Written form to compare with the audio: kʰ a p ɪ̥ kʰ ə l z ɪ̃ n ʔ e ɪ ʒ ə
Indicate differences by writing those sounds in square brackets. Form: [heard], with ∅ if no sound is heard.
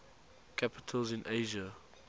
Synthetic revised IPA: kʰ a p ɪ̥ [tʰ] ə l z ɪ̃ n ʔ e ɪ ʒ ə